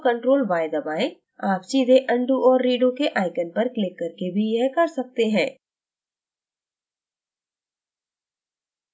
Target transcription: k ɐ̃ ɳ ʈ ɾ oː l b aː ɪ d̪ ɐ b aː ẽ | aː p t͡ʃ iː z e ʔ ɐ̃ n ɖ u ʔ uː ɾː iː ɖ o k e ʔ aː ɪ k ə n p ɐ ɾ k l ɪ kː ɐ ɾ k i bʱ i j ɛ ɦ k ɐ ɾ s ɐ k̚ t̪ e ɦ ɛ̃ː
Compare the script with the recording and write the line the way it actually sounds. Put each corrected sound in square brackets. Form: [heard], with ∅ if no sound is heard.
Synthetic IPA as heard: k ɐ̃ ɳ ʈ ɾ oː l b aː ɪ d̪ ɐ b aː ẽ | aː p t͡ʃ iː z e ʔ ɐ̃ [ɳ] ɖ u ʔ [ɔː] ɾː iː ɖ o k e ʔ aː ɪ k ə n p ɐ ɾ k l ɪ kː ɐ ɾ k [e] bʱ i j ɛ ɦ k ɐ ɾ s ɐ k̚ t̪ e ɦ ɛ̃ː